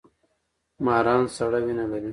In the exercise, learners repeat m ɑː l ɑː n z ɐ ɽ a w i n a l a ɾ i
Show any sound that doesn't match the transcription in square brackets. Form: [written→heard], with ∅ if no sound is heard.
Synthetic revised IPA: m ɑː [l→ɾ] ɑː n [z→s] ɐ ɽ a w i n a l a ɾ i